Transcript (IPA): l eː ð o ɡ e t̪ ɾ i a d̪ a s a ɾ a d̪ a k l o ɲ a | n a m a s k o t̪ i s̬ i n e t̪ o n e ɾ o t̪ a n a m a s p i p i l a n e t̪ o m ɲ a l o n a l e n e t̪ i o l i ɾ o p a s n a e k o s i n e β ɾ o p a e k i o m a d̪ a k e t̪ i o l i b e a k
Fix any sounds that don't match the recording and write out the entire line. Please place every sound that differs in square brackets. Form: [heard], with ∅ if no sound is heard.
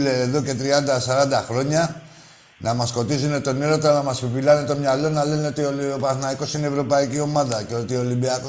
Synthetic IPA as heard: l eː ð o [k] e t̪ ɾ i a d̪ a s a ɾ a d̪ a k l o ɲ a | n a m a s k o t̪ i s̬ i n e t̪ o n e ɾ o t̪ a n a m a s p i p i l a n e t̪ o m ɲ a l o n a l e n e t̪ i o l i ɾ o p a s n a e k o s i n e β ɾ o p a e k i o m a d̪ a k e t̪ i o l i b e a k